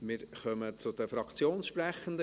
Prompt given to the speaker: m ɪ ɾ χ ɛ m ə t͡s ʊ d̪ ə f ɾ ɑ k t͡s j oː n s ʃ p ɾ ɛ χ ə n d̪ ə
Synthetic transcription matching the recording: m ɪ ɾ χ œ m ə t͡s ʊ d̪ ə f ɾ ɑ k t͡s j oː n s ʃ p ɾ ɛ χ ə n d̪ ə